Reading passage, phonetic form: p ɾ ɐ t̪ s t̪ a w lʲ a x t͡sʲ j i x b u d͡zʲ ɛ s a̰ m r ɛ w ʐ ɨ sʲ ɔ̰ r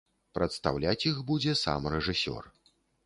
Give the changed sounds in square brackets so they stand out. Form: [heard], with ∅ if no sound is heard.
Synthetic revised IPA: p ɾ ɐ t̪ s t̪ a w lʲ a [∅] t͡sʲ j i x b u d͡zʲ ɛ s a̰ m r ɛ [∅] ʐ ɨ sʲ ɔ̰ r